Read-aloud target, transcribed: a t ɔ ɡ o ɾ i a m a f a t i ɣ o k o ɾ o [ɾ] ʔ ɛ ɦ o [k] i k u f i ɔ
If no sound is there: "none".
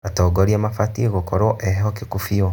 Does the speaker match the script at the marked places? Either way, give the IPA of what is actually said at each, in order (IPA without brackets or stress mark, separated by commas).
none, k